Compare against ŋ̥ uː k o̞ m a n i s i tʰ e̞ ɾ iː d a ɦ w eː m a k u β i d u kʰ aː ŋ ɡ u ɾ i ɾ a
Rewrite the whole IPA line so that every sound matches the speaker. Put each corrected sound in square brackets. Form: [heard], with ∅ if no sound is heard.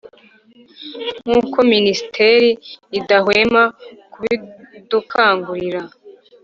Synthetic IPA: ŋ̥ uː k o̞ m [i] n i s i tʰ e̞ ɾ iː d a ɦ w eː m a k u β i d u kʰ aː ŋ ɡ u ɾ i ɾ a